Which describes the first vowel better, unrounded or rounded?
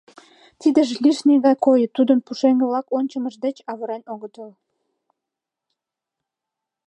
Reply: unrounded